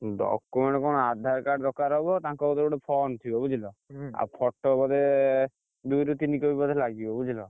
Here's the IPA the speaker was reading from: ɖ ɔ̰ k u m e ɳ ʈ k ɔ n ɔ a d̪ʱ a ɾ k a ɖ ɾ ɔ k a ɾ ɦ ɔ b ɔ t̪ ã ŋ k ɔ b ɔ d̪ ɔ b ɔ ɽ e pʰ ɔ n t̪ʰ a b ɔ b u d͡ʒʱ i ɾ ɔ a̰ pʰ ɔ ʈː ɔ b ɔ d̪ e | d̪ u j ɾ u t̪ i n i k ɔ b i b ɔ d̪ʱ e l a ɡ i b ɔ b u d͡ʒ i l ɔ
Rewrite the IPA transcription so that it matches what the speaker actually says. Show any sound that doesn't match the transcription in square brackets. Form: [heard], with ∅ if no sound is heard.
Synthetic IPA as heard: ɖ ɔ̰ k u m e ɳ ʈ k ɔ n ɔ a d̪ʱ a ɾ k a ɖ ɾ ɔ k a ɾ ɦ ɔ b ɔ t̪ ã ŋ k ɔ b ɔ d̪ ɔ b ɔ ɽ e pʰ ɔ n t̪ʰ [i] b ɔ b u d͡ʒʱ i [l] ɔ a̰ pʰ ɔ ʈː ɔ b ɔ d̪ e | d̪ u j ɾ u t̪ i n i k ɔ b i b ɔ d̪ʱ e l a ɡ i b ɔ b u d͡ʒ i l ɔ